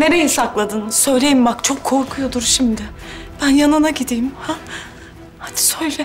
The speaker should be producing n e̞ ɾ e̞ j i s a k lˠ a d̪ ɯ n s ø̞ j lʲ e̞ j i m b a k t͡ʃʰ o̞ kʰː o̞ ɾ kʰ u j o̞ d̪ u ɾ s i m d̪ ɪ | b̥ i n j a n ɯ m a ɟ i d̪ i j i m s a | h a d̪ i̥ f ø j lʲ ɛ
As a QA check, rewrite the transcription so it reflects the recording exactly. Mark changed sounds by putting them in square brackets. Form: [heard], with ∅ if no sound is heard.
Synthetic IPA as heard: n e̞ ɾ e̞ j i s a k lˠ a d̪ ɯ n s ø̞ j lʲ e̞ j i m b a k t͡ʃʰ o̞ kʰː o̞ ɾ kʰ u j o̞ d̪ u ɾ [ʃ] i m d̪ ɪ | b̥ [æ] n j a n ɯ [n] a ɟ i d̪ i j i m [h] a | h a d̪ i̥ [s] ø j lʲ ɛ